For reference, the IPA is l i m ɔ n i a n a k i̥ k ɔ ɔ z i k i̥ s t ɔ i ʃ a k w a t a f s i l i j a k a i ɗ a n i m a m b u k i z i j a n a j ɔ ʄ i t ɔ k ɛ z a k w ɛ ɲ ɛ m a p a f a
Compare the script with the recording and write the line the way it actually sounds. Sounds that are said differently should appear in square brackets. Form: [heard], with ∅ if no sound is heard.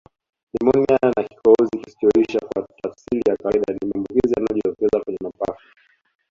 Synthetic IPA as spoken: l i m ɔ n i a n a k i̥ k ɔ ɔ z i k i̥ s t ɔ i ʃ a k w a t a f s i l i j a k a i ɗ a n i m a m b u k i z i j a n a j ɔ ʄ i t ɔ k ɛ z a k w ɛ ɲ ɛ m a p a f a